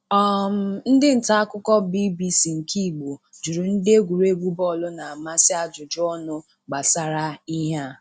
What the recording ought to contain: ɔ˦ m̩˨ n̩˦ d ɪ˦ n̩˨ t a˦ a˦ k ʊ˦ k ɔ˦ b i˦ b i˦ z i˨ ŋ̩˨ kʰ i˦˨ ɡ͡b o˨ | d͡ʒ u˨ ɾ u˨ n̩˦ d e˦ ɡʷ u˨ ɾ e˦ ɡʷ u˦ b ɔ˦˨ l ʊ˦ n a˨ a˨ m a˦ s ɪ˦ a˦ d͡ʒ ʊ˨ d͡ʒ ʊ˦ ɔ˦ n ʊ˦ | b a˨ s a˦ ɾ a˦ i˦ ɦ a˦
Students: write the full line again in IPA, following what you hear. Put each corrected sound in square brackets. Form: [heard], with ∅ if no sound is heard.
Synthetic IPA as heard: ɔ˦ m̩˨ n̩˦ d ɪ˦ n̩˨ t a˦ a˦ k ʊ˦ k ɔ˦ b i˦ b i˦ [s] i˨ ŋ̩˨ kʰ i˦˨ ɡ͡b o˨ | d͡ʒ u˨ ɾ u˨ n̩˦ d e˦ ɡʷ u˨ ɾ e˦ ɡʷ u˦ b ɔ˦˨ l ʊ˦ n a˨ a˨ m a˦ s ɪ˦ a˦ d͡ʒ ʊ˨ d͡ʒ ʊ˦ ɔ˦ n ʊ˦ | [ɡ͡b] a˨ s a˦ ɾ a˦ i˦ ɦ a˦